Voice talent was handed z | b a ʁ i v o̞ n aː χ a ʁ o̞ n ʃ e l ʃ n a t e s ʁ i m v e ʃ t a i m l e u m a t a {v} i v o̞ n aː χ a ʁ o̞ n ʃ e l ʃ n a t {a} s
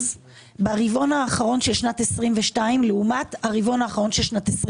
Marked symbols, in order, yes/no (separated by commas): no, no